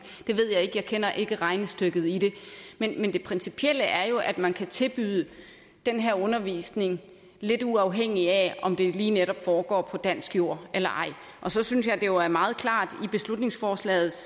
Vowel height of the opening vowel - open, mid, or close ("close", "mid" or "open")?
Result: mid